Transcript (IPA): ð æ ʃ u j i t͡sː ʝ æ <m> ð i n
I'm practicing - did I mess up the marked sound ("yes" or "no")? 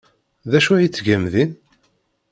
no